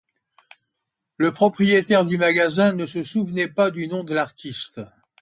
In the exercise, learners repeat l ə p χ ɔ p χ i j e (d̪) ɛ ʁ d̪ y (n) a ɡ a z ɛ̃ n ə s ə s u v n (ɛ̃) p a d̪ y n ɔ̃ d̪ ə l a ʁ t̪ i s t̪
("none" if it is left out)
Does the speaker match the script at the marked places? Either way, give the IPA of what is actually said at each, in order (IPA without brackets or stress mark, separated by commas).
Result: t̪, m, ɛ